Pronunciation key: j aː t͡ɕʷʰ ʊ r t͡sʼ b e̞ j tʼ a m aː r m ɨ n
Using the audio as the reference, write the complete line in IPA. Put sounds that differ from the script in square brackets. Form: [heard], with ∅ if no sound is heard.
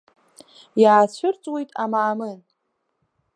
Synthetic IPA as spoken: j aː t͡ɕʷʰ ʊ r t͡sʼ [w] e̞ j tʼ a m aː [∅] m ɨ n